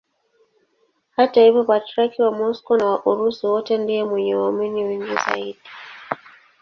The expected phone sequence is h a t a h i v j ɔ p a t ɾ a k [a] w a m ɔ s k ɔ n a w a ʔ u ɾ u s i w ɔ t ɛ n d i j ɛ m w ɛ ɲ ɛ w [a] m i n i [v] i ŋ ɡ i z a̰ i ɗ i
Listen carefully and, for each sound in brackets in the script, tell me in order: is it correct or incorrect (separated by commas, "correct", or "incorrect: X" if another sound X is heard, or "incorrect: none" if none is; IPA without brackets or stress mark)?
incorrect: i, correct, incorrect: w